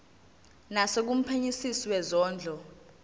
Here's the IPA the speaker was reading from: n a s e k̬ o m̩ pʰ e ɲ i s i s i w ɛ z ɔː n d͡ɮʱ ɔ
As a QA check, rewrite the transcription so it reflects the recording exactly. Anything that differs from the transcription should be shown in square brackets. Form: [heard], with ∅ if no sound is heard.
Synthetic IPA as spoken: n a s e k̬ [u] m̩ pʰ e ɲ i s i s i w ɛ z ɔː n d͡ɮʱ ɔ